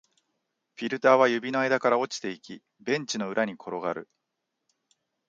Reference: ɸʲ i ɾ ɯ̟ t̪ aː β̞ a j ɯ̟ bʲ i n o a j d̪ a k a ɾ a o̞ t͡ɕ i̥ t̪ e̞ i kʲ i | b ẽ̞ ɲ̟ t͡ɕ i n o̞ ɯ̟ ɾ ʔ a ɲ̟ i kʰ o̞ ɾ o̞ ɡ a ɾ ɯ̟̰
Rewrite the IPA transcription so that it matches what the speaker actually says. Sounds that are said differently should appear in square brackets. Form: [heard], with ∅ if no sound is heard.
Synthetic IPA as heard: ɸʲ i ɾ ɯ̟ t̪ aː β̞ a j ɯ̟ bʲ i n o a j d̪ a k a ɾ a o̞ t͡ɕ i̥ t̪ e̞ i kʲ i | b ẽ̞ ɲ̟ t͡ɕ i n o̞ ɯ̟ ɾ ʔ a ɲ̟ i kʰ o̞ ɾ o̞ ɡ a ɾ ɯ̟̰